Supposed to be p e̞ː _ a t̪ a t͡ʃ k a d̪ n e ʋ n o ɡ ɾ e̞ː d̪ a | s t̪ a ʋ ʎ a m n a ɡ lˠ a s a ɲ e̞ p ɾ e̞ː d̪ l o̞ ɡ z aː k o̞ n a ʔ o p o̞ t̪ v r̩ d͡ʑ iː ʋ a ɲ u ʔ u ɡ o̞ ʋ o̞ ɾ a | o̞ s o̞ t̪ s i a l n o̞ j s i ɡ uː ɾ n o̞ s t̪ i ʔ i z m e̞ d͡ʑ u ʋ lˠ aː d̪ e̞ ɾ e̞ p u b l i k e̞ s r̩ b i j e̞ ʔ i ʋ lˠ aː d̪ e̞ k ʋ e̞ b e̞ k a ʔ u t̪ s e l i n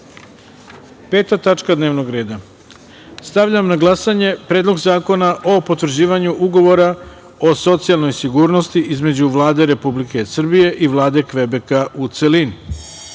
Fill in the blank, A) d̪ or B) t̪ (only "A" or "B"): B